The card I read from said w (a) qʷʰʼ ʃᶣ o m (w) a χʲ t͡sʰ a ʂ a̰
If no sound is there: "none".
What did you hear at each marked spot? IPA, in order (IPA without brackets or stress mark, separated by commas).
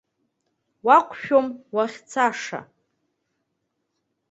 a, w